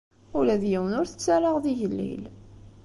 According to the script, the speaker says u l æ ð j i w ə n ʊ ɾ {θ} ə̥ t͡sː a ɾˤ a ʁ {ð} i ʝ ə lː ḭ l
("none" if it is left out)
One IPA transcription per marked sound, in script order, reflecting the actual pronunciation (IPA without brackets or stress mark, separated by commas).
θ, ð